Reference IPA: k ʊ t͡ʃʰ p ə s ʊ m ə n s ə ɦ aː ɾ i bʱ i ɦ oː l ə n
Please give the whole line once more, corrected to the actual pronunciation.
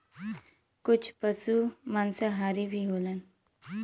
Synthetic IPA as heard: k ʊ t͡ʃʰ p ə s u m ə n s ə ɦ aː ɾ i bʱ i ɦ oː l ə n